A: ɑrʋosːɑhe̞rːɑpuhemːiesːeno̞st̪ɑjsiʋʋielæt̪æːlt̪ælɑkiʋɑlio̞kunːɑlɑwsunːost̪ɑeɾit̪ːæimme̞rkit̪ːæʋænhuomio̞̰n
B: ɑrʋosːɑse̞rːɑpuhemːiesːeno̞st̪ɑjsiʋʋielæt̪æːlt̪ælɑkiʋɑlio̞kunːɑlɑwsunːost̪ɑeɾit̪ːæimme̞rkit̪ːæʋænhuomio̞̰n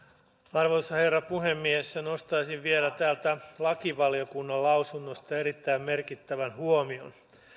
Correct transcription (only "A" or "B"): A